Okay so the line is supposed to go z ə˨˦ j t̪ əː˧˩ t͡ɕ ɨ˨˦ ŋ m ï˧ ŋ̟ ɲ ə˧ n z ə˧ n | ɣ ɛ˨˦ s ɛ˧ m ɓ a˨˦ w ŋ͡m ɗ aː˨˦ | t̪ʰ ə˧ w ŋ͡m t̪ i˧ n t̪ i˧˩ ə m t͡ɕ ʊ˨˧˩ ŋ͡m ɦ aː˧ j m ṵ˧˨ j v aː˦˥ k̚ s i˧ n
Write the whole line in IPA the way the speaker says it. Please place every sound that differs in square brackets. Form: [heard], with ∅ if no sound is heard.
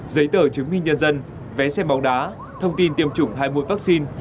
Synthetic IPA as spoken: z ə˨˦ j t̪ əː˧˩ t͡ɕ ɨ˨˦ ŋ m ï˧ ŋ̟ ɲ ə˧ n z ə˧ n | [v] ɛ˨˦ s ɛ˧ m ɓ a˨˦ w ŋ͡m ɗ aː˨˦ | t̪ʰ ə˧ w ŋ͡m t̪ i˧ n t̪ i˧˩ ə m t͡ɕ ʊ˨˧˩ ŋ͡m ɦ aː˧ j m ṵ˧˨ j v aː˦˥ k̚ s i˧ n